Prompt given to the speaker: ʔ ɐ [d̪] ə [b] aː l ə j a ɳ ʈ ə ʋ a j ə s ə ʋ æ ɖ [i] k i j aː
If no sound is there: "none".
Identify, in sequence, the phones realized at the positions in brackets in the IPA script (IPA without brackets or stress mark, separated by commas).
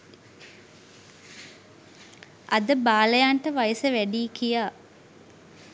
d̪, b, iː